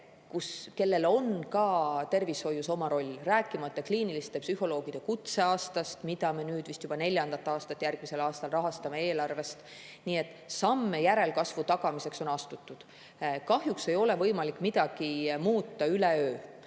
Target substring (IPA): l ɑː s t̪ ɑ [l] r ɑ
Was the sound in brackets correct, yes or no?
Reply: yes